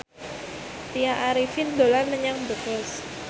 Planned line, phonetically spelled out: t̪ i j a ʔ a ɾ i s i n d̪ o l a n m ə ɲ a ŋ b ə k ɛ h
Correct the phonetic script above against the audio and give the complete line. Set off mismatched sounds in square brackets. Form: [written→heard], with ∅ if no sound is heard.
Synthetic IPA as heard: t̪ i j a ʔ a ɾ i [s→f] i n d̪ o l a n m ə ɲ a ŋ b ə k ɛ [h→s]

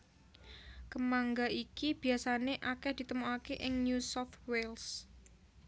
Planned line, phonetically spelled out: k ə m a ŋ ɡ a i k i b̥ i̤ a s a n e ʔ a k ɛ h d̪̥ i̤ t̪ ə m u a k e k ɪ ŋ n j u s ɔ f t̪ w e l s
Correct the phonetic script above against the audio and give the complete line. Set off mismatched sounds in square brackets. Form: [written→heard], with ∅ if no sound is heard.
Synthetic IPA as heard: k ə m a ŋ ɡ a i k i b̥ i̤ a s a n e ʔ a k ɛ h d̪̥ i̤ t̪ ə m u a k e [k→ʔ] ɪ ŋ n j u s ɔ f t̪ w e l s

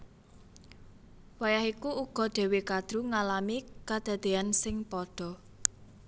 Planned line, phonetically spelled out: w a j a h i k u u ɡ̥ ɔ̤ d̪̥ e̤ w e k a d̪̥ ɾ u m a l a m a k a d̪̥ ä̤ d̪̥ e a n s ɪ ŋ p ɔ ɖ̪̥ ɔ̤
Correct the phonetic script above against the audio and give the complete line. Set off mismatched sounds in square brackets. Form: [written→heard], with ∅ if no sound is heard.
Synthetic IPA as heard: w a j a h i k u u ɡ̥ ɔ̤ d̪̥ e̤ w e k a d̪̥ ɾ u [m→ŋ] a l a m [a→i] k a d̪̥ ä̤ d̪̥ e a n s ɪ ŋ p ɔ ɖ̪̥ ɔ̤

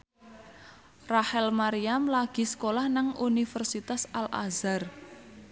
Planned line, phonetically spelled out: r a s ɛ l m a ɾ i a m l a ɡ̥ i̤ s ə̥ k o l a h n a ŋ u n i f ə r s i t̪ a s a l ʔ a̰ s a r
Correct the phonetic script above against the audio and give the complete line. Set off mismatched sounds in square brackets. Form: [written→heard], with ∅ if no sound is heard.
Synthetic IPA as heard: r a [s→h] ɛ l m a ɾ i a m l a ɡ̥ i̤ s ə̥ k o l a h n a ŋ u n i f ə r s i t̪ a s a l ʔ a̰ [s→z] a r

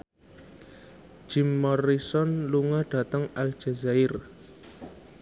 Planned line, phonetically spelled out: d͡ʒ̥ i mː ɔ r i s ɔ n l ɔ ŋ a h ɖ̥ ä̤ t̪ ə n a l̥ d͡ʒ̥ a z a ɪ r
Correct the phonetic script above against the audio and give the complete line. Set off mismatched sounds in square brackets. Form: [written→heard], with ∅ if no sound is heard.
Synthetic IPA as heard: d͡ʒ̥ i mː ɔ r i s ɔ n l [ɔ→u] ŋ a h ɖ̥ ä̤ t̪ ə [n→ŋ] a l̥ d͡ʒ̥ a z a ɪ r

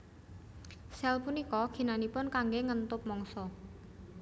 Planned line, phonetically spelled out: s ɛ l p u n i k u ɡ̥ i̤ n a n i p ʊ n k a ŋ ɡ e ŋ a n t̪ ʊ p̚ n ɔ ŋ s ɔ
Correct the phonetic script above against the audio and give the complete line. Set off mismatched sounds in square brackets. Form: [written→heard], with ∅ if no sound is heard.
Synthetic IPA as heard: s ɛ l p u n i k [u→ɔ] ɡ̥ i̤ n a n i p ʊ n k a ŋ ɡ e ŋ [a→ə] n t̪ ʊ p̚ [n→m] ɔ ŋ s ɔ

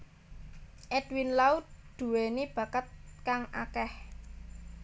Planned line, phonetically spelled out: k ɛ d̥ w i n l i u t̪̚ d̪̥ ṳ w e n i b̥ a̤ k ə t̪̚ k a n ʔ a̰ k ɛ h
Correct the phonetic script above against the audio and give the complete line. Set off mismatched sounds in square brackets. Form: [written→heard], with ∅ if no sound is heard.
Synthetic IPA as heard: [k→ʔ] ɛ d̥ w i n l [i→a] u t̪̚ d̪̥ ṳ w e n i b̥ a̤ k ə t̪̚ k a [n→ŋ] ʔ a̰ k ɛ h

